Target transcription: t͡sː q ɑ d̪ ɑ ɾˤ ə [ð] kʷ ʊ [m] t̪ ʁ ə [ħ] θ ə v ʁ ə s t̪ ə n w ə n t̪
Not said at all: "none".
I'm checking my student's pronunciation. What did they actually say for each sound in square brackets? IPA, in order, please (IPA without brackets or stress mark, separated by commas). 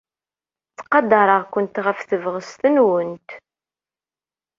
ʁ, n, f